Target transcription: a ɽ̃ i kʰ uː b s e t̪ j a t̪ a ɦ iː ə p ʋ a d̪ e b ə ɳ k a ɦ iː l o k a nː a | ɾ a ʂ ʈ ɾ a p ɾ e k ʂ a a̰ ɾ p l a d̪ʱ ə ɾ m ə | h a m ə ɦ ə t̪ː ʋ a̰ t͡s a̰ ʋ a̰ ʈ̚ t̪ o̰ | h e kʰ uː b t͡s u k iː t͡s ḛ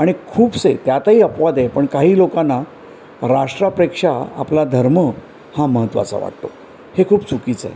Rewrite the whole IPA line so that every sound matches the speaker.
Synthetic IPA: a ɽ̃ i kʰ uː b s e t̪ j a t̪ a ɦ iː ə p ʋ a d̪ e p ə ɳ k a ɦ iː l o k a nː a | ɾ a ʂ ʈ ɾ a p ɾ e k ʂ a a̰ p l a d̪ʱ ə ɾ m ə | h a m ə ɦ ə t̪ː ʋ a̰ t͡s a̰ ʋ a̰ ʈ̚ t̪ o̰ | h e kʰ uː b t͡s u k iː t͡s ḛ

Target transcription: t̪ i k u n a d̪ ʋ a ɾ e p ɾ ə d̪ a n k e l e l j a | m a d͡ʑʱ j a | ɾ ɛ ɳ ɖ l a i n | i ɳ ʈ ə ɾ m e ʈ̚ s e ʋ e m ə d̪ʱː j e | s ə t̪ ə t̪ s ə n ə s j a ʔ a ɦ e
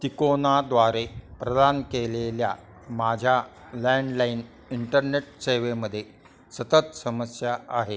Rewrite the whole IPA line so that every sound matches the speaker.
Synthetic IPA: t̪ i k o n a d̪ ʋ a ɾ e p ɾ ə d̪ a n k e l e l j a | m a d͡ʑʱ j a | l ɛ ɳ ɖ l a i n | i ɳ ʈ ə ɾ n e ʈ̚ s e ʋ e m ə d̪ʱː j e | s ə t̪ ə t̪ s ə m ə s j a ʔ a ɦ e

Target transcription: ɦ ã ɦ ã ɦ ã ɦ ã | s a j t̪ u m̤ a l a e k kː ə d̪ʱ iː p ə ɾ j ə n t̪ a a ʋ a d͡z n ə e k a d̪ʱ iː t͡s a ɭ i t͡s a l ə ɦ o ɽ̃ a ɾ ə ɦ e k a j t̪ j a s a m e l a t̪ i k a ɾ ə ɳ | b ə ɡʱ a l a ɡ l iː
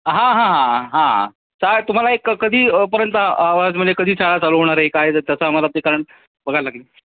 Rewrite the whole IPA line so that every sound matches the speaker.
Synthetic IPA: ɦ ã ɦ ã ɦ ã ɦ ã | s a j t̪ u m̤ a l a e k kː ə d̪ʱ iː p ə ɾ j ə n t̪ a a ʋ a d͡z m ə e k ə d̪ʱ iː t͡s a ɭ a t͡s a l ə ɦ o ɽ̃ a ɾ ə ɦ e k a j t̪ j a s a m a l a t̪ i k a ɾ ə ɳ | b ə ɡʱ a l a ɡ l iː

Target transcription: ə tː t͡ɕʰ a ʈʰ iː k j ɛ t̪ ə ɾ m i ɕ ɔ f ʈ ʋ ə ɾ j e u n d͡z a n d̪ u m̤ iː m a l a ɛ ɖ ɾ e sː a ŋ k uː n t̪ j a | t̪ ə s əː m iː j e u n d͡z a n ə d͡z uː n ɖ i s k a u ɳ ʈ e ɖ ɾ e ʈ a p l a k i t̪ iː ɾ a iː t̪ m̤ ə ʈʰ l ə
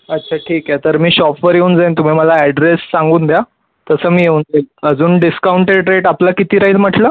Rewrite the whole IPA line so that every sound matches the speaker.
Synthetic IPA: ə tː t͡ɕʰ a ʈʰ iː k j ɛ t̪ ə ɾ m iː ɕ ɔ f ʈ ʋ ə ɾ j e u n d͡z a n t̪ u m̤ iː m ə l a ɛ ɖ ɾ e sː a ŋ ɡ uː n d̪ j a | t̪ ə s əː m iː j e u n d͡z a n ə d͡z uː n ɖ i s k a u ɳ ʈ e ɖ ɾ e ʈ a p l a k i t̪ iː ɾ a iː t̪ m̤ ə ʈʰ l ə

